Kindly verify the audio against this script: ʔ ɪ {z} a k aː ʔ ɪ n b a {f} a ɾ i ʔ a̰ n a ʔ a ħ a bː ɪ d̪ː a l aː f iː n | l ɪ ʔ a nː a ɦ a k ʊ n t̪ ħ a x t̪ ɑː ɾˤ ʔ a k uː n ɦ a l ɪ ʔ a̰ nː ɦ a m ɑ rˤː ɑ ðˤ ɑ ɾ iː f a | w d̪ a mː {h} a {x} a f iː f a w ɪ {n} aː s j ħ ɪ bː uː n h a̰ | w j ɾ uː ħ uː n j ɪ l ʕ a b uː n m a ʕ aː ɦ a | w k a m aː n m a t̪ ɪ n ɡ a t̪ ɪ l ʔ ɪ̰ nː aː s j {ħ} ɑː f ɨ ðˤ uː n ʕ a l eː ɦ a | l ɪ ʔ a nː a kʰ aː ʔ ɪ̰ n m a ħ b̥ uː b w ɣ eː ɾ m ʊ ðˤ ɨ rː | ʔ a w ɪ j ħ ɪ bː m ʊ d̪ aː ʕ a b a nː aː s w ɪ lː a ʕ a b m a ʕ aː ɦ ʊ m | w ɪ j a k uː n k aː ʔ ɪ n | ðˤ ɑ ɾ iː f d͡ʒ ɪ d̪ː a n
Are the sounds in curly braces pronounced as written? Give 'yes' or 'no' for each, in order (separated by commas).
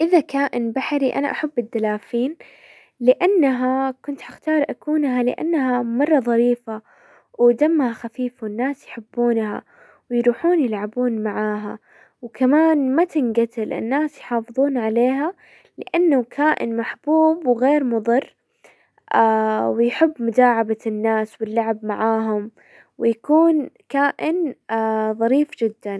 no, no, yes, yes, no, yes